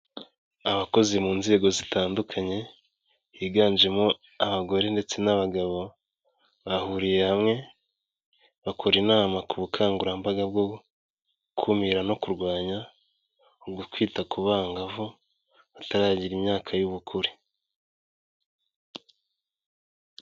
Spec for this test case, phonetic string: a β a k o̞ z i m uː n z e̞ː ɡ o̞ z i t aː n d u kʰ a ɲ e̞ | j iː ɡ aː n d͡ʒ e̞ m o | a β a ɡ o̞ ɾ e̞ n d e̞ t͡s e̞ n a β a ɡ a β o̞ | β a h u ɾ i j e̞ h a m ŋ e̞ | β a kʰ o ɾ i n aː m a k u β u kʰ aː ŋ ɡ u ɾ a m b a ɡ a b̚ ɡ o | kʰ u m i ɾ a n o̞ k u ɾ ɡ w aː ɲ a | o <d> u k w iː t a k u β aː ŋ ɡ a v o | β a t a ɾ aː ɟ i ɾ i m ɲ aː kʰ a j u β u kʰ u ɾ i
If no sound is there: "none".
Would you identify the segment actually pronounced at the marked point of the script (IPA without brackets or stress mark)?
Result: ɡ